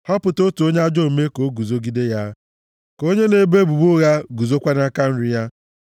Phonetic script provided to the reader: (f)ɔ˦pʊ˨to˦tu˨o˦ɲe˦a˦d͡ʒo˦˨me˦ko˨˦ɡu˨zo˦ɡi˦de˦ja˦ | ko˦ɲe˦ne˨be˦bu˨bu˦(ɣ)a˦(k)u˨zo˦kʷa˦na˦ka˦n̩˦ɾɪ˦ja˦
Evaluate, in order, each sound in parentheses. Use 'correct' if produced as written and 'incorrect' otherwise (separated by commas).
incorrect, correct, incorrect